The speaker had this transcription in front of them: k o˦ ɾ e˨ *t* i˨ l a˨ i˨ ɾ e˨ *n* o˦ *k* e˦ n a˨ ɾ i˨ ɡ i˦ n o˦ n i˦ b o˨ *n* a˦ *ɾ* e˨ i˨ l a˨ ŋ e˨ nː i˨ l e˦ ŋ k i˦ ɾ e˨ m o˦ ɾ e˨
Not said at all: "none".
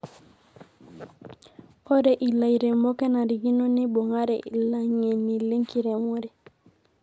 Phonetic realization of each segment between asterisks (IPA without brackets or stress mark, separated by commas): ʔ, m, k, ŋ, ɾ